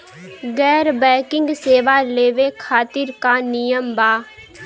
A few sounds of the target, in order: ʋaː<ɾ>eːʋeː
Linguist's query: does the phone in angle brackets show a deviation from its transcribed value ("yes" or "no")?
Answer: yes